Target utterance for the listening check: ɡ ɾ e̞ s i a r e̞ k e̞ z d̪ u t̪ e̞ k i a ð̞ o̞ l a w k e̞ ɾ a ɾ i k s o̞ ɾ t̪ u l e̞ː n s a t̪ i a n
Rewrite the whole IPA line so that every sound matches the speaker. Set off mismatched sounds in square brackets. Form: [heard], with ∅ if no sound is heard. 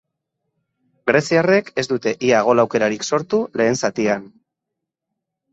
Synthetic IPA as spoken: ɡ ɾ e̞ s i a r e̞ k e̞ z d̪ u t̪ e̞ [ʔ] i a [ɣ̞] o̞ l a w k e̞ ɾ a ɾ i k s o̞ ɾ t̪ u l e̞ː n s a t̪ i a n